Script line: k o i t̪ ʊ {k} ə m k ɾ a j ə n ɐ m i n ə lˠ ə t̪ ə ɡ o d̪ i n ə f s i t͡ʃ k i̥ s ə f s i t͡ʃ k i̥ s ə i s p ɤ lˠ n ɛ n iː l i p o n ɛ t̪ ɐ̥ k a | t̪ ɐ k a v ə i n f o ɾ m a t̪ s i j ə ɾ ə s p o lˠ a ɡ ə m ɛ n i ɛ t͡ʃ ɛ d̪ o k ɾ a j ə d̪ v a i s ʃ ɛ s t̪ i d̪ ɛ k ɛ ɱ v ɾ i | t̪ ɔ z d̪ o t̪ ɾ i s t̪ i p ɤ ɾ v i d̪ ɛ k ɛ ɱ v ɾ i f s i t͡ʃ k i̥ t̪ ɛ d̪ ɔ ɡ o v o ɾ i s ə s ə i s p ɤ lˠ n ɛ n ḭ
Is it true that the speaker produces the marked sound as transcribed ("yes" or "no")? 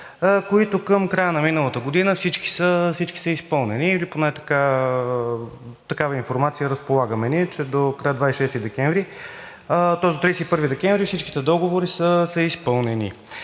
yes